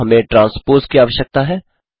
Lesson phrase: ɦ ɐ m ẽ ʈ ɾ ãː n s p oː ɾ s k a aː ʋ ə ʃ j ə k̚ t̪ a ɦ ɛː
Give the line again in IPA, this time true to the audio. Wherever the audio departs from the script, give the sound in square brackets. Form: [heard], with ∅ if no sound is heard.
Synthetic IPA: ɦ ɐ m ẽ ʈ ɾ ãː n s p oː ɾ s k [i] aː ʋ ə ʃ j ə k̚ t̪ a ɦ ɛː